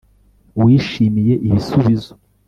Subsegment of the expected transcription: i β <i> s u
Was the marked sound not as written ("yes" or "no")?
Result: no